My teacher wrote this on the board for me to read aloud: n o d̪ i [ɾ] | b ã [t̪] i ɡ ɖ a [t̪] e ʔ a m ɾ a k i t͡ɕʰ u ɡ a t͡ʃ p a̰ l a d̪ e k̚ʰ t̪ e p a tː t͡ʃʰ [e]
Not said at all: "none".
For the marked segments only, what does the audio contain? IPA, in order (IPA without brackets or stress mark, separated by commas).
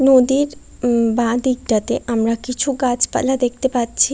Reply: ɾ, d̪, t̪, i